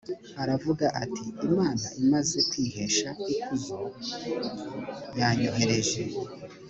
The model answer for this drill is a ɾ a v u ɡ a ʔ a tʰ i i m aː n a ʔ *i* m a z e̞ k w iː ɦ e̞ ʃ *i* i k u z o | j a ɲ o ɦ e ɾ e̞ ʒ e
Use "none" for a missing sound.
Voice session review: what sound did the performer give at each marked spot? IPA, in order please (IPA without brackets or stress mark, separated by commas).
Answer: i, a